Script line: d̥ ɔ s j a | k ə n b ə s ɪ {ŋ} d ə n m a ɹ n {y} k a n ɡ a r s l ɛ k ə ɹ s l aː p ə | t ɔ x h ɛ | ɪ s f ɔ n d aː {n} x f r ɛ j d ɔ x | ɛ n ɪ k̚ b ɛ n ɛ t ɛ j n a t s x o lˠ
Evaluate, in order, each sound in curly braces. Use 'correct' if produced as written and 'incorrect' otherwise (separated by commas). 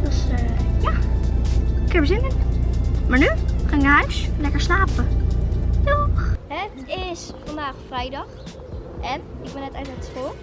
incorrect, correct, incorrect